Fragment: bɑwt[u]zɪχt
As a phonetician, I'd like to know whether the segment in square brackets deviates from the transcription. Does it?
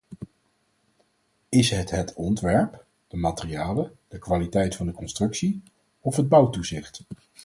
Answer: no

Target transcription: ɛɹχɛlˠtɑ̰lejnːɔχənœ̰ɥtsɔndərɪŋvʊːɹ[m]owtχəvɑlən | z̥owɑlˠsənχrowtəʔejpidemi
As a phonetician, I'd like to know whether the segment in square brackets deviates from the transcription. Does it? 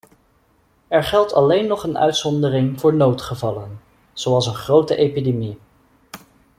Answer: yes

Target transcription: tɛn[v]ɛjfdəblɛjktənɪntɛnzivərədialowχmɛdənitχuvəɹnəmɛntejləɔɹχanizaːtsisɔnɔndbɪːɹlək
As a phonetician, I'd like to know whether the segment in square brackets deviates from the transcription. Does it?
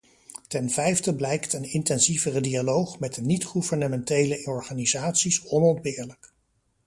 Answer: no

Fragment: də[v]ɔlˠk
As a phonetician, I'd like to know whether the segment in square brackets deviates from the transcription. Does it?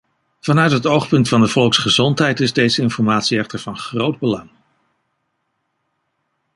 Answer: no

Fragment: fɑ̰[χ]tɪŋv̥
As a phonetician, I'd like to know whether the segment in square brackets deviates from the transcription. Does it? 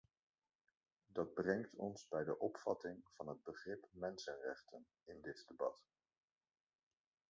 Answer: yes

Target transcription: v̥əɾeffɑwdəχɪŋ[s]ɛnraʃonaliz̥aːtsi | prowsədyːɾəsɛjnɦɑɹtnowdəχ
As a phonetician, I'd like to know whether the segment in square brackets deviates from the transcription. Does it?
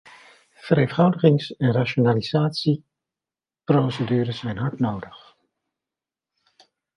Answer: no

